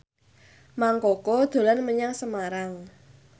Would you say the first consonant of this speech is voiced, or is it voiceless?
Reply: voiced